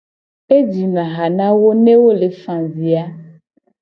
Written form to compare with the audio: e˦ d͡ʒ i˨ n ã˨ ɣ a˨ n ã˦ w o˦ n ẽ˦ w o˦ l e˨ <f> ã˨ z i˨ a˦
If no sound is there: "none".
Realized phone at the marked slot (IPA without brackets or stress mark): f